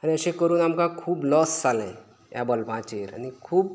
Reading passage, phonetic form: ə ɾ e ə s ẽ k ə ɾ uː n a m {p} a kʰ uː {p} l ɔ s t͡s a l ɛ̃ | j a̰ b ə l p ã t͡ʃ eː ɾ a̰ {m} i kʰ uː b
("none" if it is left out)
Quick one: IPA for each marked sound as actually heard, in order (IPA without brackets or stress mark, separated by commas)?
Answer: k, b, n